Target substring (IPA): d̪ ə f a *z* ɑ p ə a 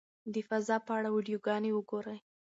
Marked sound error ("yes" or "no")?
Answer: no